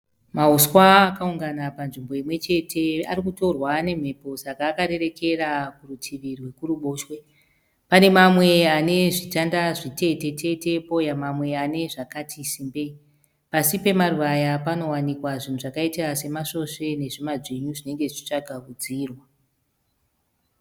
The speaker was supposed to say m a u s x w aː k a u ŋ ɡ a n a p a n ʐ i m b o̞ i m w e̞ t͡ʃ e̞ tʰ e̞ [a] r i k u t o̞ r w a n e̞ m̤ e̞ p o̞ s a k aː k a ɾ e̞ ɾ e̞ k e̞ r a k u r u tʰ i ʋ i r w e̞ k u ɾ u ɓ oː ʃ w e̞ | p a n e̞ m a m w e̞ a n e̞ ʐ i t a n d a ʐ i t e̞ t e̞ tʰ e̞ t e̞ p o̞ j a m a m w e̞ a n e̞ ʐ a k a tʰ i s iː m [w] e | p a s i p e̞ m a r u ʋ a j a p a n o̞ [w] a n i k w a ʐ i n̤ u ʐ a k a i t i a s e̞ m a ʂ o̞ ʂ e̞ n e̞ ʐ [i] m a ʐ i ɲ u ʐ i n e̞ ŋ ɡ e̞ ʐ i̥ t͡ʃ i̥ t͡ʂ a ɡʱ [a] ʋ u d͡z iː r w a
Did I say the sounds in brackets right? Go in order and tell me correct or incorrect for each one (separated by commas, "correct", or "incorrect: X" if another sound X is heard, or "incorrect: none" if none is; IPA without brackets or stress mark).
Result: correct, incorrect: b, correct, correct, correct